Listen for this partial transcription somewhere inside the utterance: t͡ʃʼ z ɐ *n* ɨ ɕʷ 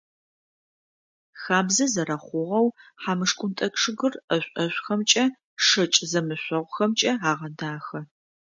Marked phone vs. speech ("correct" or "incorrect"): incorrect